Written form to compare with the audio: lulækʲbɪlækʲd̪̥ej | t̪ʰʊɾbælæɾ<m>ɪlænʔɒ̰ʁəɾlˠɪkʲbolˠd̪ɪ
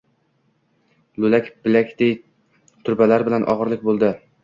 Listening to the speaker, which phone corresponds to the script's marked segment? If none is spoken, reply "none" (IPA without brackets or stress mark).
b